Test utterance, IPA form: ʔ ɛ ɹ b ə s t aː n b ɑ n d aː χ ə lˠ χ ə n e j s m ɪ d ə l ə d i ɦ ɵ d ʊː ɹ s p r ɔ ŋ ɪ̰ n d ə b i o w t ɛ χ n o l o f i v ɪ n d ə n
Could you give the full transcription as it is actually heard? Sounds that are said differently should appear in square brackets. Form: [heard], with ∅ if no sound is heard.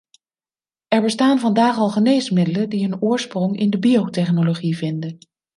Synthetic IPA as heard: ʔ ɛ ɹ b ə s t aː n [v] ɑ n d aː χ [ɑ] lˠ χ ə n e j s m ɪ d ə l ə d i ɦ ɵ [n] ʊː ɹ s p r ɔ ŋ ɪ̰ n d ə b i o w t ɛ χ n o l o [χ] i v ɪ n d ə n